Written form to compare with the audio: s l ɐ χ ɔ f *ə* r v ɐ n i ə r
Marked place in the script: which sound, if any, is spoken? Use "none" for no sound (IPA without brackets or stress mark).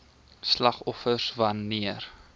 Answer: ə